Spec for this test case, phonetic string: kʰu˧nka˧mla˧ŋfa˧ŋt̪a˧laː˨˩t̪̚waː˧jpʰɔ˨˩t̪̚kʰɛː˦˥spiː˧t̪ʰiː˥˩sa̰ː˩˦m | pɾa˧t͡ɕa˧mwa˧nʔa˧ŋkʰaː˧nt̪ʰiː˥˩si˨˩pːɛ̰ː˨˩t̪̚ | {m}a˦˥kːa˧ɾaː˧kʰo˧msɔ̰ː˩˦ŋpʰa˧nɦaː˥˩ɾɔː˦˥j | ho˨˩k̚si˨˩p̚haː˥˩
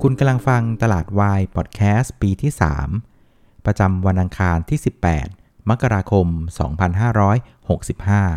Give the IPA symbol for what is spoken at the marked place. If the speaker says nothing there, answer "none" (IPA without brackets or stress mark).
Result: m